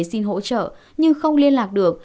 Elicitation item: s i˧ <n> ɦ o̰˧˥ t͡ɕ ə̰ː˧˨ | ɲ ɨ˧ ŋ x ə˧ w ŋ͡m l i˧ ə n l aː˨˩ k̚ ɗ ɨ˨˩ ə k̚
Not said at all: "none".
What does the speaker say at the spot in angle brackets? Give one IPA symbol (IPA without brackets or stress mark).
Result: n